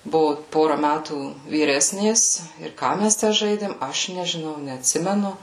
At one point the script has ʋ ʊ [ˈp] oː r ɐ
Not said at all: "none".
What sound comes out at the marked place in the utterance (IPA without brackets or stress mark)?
p